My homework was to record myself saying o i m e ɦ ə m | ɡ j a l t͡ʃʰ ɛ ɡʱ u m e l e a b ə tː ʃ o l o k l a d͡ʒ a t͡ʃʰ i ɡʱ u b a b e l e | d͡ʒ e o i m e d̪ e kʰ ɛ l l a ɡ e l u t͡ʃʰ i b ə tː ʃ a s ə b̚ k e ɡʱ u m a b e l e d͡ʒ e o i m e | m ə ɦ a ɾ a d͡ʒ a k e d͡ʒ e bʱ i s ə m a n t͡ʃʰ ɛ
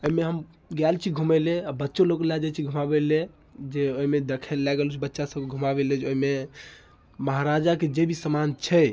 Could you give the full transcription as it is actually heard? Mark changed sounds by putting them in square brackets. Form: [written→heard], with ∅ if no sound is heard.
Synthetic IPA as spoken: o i m e ɦ ə m | ɡ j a l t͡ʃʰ [ɛ→i] ɡʱ u m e l e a b ə tː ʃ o l o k l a d͡ʒ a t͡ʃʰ i ɡʱ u [b→m] a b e l e | d͡ʒ e o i m e d̪ e kʰ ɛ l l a ɡ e l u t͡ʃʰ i b ə tː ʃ a s ə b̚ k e ɡʱ u m a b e l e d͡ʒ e o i m e | m ə ɦ a ɾ a d͡ʒ a k e d͡ʒ e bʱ i s ə m a n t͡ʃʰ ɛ